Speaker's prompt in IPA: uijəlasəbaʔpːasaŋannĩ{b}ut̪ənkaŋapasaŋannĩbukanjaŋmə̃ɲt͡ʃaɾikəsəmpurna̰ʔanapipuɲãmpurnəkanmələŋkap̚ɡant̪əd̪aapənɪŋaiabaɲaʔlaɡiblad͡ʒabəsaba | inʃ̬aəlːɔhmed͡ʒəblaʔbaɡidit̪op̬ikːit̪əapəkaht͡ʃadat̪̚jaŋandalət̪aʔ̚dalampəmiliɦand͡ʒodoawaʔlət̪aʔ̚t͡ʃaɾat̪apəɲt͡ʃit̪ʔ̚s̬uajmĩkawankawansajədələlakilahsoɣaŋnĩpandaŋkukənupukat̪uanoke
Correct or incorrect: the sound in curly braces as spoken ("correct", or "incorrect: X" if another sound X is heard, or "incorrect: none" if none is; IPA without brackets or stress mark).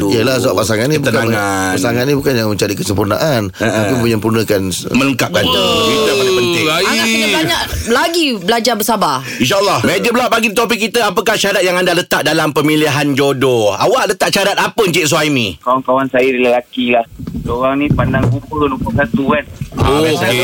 correct